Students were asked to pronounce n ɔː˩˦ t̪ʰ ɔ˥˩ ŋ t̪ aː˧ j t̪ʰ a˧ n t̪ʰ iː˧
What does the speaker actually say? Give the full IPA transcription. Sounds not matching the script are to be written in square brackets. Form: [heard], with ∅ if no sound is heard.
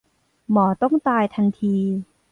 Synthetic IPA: [m] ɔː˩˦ [t̪] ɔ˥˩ ŋ t̪ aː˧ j t̪ʰ a˧ n t̪ʰ iː˧

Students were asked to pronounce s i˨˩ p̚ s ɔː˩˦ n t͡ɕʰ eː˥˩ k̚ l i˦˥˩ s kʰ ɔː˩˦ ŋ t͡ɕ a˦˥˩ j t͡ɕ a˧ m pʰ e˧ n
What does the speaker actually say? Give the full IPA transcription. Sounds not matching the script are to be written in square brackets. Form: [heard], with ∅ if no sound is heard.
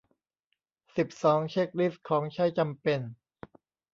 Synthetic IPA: s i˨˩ p̚ s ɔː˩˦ [ŋ] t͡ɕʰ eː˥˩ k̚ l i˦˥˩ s kʰ ɔː˩˦ ŋ [t͡ɕʰ] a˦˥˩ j t͡ɕ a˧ m [p] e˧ n

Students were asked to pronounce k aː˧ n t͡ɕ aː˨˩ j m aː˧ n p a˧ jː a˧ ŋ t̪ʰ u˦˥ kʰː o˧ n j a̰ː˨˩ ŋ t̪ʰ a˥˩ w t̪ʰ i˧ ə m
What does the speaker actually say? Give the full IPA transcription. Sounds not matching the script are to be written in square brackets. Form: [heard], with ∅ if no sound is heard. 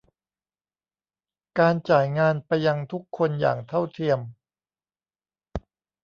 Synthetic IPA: k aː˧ n t͡ɕ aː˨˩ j [ŋ] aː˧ n p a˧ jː a˧ ŋ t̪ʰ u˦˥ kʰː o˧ n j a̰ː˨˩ ŋ t̪ʰ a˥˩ w t̪ʰ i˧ ə m

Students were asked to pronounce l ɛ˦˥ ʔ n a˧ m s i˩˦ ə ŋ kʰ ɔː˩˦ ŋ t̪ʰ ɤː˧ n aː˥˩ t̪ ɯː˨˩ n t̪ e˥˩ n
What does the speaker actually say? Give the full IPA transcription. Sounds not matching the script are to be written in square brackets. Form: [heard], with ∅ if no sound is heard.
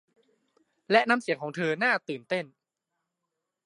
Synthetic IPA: l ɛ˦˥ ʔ n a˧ m s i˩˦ ə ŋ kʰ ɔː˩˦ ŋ t̪ʰ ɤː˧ n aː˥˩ t̪ ɯː˨˩ n t̪ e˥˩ n

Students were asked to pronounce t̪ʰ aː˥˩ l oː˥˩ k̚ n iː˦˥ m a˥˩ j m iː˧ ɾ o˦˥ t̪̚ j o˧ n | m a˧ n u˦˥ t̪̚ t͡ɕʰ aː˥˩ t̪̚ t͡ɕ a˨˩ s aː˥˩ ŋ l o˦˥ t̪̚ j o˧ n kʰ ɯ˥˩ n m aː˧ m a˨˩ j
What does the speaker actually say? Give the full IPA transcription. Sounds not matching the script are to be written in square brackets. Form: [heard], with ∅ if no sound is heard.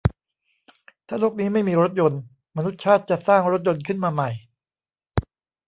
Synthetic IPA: t̪ʰ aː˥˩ l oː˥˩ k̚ n iː˦˥ m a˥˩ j m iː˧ ɾ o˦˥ t̪̚ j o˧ n | m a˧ n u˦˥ t̪̚ t͡ɕʰ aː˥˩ t̪̚ t͡ɕ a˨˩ s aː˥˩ ŋ [ɾ] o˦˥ t̪̚ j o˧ n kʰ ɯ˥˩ n m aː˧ m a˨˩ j

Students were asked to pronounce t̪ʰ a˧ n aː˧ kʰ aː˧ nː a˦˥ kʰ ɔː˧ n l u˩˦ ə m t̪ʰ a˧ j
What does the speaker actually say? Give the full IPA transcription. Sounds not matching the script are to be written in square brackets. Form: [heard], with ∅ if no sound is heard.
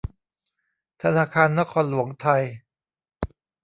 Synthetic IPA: t̪ʰ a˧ n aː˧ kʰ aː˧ nː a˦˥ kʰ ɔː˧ n l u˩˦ ə [ŋ] t̪ʰ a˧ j

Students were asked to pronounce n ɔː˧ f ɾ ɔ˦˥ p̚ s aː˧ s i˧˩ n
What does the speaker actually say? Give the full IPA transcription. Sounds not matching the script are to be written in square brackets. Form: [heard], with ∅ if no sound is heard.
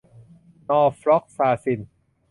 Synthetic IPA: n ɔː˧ f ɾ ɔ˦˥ [k̚] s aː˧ s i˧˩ n

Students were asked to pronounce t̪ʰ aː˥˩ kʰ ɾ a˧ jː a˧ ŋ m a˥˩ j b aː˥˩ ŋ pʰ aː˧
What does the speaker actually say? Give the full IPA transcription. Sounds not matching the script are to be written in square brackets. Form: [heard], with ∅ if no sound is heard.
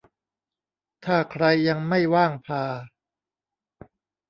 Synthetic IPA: t̪ʰ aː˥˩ kʰ ɾ a˧ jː a˧ ŋ m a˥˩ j [w] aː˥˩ ŋ pʰ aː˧

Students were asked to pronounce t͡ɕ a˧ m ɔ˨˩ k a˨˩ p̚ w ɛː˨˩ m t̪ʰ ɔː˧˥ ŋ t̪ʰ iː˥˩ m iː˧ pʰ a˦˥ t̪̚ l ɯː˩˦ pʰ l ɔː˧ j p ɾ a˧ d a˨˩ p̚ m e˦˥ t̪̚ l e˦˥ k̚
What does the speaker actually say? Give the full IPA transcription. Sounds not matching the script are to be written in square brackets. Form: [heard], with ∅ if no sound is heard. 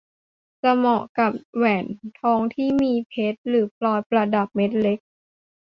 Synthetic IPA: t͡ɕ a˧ m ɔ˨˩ k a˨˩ p̚ w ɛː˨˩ [n] t̪ʰ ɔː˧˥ ŋ t̪ʰ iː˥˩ m iː˧ pʰ [e˦˥] t̪̚ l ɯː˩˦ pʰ l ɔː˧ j p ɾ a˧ d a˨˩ p̚ m e˦˥ t̪̚ l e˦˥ k̚

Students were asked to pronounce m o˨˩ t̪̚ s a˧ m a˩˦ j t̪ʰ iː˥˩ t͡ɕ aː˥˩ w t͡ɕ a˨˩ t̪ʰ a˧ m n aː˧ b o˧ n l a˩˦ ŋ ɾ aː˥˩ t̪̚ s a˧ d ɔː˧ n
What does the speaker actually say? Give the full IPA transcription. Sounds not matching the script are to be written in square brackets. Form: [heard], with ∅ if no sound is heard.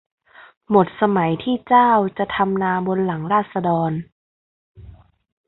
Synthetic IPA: m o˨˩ t̪̚ s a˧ m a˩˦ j t̪ʰ iː˥˩ t͡ɕ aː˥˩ w t͡ɕ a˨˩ t̪ʰ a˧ m n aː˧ b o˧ n l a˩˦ ŋ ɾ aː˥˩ t̪̚ s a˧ d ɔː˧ n

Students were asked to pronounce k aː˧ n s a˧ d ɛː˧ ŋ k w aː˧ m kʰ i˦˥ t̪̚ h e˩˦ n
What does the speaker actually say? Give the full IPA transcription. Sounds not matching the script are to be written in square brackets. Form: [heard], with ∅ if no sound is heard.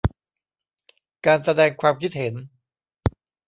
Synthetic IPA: k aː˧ n s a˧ d ɛː˧ ŋ [kʰ] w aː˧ m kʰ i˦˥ t̪̚ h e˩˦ n

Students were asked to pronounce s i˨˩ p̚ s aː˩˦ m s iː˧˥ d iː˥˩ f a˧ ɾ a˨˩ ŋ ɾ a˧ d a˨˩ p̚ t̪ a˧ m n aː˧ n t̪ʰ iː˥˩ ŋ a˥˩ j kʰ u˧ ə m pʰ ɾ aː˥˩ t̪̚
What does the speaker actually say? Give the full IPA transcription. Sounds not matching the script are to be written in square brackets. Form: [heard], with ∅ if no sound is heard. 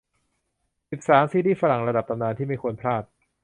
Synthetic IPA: s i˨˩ p̚ s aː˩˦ m s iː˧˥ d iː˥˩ f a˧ ɾ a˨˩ ŋ ɾ a˧ d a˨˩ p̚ t̪ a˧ m n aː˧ n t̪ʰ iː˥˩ [m] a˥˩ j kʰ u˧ ə [n] pʰ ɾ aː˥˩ t̪̚

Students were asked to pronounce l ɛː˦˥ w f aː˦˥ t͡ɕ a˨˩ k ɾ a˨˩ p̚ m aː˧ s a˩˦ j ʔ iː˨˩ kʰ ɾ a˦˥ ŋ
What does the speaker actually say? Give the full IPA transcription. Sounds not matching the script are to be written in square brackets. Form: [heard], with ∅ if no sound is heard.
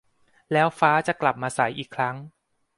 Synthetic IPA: l ɛː˦˥ w f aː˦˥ t͡ɕ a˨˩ k [l] a˨˩ p̚ m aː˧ s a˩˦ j ʔ iː˨˩ kʰ ɾ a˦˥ ŋ

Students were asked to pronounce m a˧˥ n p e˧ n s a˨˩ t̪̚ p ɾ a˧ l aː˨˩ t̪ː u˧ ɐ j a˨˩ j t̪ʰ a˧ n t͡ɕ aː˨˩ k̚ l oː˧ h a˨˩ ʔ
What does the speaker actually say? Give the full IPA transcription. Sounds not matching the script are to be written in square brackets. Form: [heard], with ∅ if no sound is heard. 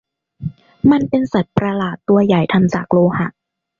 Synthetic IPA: m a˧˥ n p e˧ n s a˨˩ t̪̚ p ɾ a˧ l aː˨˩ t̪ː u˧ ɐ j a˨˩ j t̪ʰ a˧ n t͡ɕ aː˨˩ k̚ l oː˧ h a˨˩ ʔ

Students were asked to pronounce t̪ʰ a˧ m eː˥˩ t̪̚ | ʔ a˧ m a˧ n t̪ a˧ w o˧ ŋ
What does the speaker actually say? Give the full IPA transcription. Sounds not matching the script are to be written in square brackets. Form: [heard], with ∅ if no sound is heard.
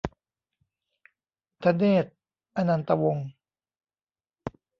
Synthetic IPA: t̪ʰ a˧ [n] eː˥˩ t̪̚ | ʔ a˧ [n] a˧ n t̪ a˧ w o˧ ŋ

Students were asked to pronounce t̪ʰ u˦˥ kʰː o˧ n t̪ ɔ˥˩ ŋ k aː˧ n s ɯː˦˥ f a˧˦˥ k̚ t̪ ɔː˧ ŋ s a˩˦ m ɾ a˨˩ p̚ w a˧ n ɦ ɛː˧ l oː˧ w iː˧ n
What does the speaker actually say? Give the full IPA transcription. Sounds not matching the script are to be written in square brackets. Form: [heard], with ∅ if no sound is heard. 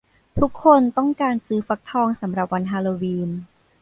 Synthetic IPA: t̪ʰ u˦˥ kʰː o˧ n t̪ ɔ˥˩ ŋ k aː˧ n s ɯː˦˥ f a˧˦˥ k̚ [t̪ʰ] ɔː˧ ŋ s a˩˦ m ɾ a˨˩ p̚ w a˧ n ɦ [aː˧] l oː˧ w iː˧ n

